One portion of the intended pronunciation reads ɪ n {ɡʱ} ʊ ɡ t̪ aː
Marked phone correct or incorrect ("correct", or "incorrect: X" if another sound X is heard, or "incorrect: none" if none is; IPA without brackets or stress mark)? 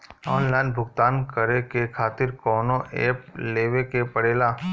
incorrect: bʱ